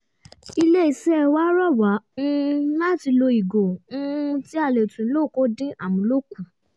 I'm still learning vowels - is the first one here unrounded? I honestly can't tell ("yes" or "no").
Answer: yes